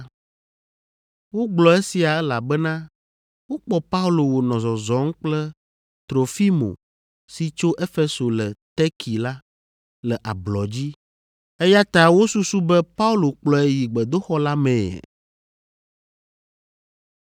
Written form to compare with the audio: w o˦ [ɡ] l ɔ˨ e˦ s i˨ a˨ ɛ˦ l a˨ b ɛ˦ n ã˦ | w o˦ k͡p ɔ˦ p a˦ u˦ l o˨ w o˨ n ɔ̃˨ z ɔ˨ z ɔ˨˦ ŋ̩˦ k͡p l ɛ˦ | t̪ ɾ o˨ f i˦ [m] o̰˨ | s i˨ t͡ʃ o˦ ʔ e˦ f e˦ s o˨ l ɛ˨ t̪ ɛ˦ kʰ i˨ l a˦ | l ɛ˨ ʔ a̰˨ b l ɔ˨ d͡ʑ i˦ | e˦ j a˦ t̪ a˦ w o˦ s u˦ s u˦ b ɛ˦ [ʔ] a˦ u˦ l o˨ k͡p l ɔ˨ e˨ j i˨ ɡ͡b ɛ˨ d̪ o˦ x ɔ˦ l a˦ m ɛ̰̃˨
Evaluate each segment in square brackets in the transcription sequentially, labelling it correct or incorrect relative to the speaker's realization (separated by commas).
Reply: incorrect, correct, incorrect